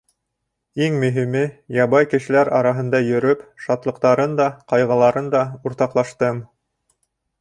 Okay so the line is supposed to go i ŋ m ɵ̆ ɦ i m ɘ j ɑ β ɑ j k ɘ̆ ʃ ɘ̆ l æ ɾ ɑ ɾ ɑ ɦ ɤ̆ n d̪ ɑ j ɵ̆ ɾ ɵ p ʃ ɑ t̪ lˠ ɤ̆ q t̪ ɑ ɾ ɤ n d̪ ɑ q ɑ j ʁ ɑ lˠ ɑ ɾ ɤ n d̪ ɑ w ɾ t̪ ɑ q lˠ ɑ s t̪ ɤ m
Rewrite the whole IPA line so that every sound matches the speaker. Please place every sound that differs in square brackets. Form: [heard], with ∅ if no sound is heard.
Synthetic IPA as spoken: i ŋ m ɵ̆ ɦ i m ɘ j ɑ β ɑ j k ɘ̆ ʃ ɘ̆ l æ ɾ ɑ ɾ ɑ ɦ ɤ̆ n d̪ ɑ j ɵ̆ ɾ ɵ p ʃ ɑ t̪ lˠ ɤ̆ q t̪ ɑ ɾ ɤ n d̪ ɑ q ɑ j ʁ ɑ lˠ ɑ ɾ ɤ n d̪ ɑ [u] ɾ t̪ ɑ q lˠ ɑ [ʃ] t̪ ɤ m